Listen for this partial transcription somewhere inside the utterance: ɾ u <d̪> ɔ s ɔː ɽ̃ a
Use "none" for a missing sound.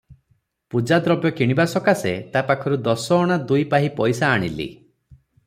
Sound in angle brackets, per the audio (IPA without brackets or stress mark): d̪